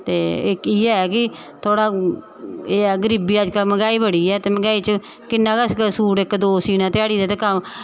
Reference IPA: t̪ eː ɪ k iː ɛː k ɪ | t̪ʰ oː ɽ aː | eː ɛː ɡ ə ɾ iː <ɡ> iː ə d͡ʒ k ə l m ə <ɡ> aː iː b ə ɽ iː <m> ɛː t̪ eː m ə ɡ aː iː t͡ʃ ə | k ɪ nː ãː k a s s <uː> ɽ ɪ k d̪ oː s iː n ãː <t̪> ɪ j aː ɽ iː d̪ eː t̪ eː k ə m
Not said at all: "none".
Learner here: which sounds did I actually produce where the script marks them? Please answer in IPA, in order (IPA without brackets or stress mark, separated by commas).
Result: b, ɡ, none, uː, t̪